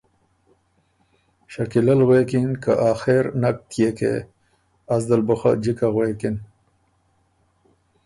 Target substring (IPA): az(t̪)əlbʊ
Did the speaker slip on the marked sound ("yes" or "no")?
yes